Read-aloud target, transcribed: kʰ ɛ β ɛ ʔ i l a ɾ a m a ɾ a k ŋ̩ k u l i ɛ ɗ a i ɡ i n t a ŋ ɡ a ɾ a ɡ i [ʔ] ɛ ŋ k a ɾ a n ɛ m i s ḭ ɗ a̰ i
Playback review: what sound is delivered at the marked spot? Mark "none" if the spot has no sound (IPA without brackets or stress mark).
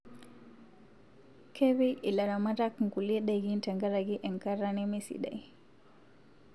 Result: ʔ